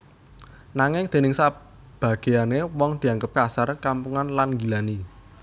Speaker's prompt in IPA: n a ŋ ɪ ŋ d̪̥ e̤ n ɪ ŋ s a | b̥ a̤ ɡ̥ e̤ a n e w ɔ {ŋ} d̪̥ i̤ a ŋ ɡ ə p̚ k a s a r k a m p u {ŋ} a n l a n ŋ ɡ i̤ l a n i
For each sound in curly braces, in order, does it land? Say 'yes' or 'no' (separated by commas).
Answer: yes, yes